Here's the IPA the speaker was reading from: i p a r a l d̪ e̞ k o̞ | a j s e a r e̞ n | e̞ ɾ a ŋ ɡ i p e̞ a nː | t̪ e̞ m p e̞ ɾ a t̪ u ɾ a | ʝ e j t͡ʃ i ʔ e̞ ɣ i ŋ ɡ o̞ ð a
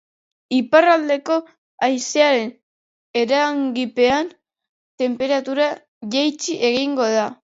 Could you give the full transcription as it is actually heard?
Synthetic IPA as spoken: i p a r a l d̪ e̞ k o̞ | a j s e a ɾ e̞ n | e̞ ɾ a ŋ ɡ i p e̞ a n | t̪ e̞ m p e̞ ɾ a t̪ u ɾ a | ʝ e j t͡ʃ i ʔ e̞ ɣ i ŋ ɡ o̞ ð a